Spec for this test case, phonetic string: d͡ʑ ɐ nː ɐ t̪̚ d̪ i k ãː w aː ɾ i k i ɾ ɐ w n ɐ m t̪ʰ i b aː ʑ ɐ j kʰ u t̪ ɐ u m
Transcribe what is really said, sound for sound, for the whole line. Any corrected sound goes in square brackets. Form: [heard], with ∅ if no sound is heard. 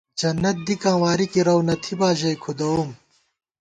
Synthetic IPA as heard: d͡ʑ ɐ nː ɐ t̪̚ d̪ i k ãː w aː ɾ i k i ɾ ɐ w n ɐ [∅] t̪ʰ i b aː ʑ ɐ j kʰ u [d̪] ɐ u m